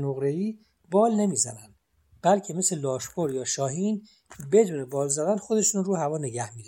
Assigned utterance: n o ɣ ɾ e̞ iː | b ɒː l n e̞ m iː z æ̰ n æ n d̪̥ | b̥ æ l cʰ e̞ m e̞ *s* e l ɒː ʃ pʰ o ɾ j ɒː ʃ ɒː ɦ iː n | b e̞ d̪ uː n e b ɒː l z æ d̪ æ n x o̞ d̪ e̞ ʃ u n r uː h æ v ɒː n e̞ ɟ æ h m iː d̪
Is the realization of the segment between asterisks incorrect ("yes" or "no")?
no